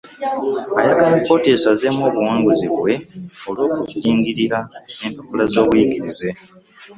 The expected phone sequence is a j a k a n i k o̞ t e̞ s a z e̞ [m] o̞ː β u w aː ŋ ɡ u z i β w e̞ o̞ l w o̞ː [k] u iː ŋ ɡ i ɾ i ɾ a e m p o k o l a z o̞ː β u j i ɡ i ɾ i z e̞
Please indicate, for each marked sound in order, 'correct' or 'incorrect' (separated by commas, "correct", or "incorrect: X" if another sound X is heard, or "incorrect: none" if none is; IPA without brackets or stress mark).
correct, correct